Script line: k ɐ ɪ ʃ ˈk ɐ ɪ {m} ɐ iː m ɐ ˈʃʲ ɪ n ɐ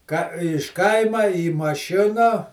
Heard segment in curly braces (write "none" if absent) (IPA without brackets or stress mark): m